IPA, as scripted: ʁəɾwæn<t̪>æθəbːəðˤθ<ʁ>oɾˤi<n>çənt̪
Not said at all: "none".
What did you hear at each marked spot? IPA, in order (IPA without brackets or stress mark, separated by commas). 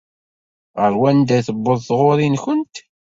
d̪, ʁ, n